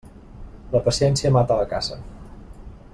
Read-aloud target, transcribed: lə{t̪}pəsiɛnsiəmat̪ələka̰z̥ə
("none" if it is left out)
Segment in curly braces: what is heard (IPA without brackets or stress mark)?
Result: none